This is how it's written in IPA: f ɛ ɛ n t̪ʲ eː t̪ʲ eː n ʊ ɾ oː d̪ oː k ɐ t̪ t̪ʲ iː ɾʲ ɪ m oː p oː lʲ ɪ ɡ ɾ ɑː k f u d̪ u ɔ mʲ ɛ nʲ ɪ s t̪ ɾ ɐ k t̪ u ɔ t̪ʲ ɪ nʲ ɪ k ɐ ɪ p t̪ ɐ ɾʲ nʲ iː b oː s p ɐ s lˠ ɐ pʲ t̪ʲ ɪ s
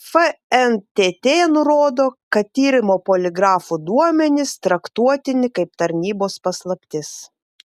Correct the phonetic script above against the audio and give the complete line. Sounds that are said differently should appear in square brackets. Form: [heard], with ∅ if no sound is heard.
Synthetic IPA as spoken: f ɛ ɛ n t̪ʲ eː t̪ʲ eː n ʊ ɾ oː d̪ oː k ɐ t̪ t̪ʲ iː ɾʲ ɪ m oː p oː lʲ ɪ ɡ ɾ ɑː [∅] f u d̪ u ɔ mʲ ɛ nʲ ɪ s t̪ ɾ ɐ k t̪ u ɔ t̪ʲ ɪ nʲ ɪ k ɐ ɪ p t̪ ɐ ɾʲ nʲ iː b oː s p ɐ s lˠ ɐ pʲ t̪ʲ ɪ s